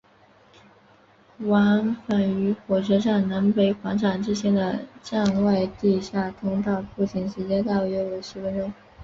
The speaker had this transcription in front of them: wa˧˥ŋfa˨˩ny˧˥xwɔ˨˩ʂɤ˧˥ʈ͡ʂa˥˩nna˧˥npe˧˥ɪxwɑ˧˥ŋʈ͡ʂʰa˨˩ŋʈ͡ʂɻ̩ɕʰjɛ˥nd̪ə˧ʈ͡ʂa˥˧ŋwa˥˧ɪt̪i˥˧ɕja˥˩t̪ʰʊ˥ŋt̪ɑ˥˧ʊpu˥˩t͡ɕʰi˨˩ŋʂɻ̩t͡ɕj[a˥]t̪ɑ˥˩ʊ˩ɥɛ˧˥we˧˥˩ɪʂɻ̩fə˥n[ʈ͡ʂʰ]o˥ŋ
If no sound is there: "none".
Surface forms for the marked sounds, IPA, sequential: ɛ˥, ʈ͡ʂ

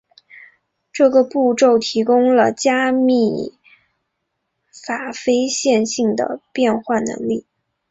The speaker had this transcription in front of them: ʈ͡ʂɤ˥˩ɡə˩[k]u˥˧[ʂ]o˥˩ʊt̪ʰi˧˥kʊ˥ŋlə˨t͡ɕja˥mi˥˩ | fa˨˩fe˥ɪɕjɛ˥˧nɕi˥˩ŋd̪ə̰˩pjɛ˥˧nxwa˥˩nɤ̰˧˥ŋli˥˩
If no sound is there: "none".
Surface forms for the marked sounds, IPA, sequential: p, ʈ͡ʂ

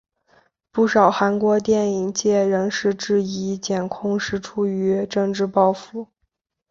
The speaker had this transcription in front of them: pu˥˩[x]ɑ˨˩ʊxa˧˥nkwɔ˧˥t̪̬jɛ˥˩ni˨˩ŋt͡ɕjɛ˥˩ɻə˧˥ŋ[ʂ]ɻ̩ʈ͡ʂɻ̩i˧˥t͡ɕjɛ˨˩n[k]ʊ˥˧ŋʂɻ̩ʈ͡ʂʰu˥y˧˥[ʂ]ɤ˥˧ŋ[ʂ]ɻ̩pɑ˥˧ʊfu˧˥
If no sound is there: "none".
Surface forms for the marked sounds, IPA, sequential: ʂ, ʂ, kʰ, ʈ͡ʂ, ʈ͡ʂ

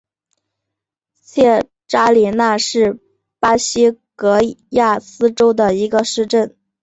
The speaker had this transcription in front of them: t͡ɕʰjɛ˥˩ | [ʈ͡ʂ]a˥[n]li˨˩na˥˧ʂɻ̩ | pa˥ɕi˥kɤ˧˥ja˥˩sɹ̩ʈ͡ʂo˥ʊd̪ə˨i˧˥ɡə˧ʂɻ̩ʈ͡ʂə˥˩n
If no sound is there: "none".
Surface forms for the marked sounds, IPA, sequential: ʈ͡ʂ, none

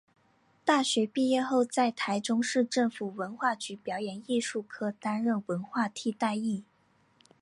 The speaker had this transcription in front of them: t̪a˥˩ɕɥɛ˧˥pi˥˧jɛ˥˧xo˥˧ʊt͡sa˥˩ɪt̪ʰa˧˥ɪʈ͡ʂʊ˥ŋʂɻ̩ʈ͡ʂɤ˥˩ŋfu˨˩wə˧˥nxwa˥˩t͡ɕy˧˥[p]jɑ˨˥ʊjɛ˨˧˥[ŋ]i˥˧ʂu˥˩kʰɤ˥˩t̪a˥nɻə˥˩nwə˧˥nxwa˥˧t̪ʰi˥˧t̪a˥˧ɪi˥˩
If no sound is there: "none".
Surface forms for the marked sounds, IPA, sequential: p, n

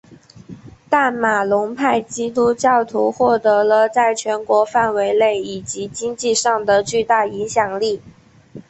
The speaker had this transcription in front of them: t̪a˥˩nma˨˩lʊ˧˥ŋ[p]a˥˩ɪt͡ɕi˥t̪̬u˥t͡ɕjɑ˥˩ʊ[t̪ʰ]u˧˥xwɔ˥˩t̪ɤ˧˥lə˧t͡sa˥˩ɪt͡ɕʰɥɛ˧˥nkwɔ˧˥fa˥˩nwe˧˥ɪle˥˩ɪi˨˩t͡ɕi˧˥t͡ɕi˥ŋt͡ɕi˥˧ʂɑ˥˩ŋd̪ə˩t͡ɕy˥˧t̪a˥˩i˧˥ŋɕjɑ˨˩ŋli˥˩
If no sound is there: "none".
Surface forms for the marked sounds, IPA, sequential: pʰ, t̪ʰ

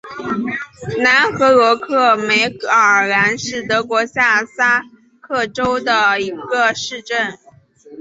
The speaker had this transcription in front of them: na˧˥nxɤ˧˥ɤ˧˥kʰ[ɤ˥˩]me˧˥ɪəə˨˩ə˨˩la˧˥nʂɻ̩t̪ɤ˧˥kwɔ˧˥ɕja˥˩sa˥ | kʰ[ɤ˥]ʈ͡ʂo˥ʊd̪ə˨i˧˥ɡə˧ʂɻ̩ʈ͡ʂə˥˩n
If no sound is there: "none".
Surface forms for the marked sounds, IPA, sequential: ɤ˥˩, ɤ˥˩

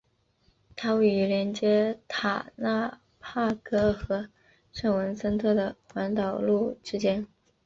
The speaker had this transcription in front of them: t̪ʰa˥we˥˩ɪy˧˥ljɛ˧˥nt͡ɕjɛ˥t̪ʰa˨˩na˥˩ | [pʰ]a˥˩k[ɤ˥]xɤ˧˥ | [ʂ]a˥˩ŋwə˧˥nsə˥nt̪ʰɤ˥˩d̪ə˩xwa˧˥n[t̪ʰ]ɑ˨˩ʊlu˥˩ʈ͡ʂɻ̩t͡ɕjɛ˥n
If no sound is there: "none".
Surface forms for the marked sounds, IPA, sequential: pʰ, ɤ˥, ʂ, t̪

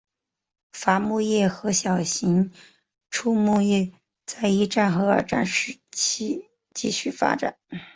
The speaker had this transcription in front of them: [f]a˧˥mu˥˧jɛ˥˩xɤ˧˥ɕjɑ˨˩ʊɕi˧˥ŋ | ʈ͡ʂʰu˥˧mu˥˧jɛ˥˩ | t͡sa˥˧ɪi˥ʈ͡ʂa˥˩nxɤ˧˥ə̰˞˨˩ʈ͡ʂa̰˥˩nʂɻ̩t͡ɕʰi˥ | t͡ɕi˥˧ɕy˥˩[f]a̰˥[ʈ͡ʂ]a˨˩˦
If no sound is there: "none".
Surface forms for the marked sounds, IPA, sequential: f, f, ʈ͡ʂ

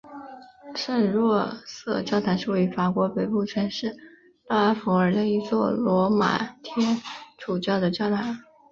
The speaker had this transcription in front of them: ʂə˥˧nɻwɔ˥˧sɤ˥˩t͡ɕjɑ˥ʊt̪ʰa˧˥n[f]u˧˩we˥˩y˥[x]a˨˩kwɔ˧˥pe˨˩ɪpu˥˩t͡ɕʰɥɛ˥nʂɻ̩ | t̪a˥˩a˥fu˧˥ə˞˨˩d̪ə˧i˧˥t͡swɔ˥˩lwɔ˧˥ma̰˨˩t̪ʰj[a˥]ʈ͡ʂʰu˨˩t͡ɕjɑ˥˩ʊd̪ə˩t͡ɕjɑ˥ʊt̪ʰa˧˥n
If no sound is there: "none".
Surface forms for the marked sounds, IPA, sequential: ʂ, f, ɛ˥

